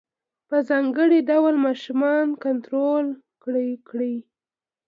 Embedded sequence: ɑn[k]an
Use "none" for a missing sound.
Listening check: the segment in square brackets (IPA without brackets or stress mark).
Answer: k